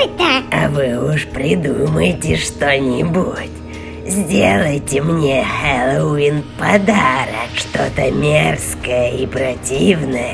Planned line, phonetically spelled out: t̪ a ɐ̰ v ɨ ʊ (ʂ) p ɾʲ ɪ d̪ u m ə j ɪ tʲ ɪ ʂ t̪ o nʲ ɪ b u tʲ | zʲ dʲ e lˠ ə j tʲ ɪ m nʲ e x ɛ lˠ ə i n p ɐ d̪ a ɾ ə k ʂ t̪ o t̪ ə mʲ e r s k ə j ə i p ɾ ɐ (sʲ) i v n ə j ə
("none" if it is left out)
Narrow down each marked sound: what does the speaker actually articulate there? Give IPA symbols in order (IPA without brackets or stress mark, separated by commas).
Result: ʂ, tʲ